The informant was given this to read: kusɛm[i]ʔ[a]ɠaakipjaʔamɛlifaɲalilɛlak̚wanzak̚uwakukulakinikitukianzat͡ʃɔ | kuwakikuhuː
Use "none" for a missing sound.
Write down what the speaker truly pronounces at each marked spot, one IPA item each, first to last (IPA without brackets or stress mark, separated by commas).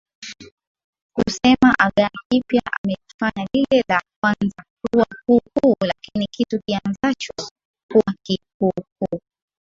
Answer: a, a